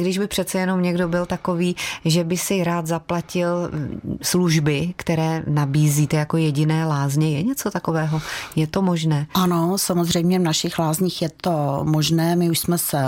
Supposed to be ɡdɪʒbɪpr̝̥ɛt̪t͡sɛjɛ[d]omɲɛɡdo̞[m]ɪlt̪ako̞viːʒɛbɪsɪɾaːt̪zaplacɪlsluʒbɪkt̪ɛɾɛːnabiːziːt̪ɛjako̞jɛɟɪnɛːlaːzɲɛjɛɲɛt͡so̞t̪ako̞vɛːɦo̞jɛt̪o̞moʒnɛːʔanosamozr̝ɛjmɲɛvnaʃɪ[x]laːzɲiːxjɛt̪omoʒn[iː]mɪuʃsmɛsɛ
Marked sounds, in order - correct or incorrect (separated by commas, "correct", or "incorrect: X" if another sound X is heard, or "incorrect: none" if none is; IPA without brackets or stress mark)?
incorrect: n, incorrect: b, correct, incorrect: ɛː